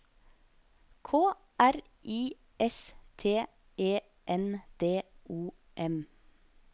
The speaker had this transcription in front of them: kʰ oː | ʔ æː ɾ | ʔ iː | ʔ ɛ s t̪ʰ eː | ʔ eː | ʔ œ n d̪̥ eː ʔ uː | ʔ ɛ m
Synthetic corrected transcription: kʰ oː | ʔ æ ɾ | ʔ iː | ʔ ɛ s t̪ʰ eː | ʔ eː | ʔ ɛ n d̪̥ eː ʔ uː | ʔ ɛ m